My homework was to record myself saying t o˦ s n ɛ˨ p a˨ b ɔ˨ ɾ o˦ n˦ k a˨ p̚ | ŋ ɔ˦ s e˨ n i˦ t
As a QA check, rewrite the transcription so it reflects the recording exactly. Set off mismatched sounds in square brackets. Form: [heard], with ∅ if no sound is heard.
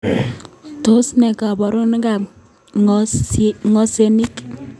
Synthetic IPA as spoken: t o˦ s n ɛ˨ [k] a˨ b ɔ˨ ɾ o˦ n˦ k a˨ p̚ | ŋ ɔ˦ s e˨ n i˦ [k]